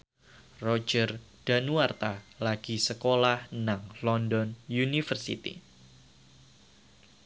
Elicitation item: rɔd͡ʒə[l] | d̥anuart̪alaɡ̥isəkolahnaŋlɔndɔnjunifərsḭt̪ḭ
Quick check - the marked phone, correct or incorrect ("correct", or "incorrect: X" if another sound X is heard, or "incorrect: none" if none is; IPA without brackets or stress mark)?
incorrect: r